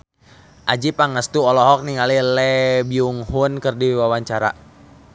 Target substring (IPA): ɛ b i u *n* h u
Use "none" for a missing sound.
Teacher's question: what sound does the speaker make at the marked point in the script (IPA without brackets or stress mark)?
ŋ